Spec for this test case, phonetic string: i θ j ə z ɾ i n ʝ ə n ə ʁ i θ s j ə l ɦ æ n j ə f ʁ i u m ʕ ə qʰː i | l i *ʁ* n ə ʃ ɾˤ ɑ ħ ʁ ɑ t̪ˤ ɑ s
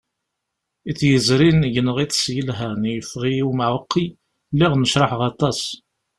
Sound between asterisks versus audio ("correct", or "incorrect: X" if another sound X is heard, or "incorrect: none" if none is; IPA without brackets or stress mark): correct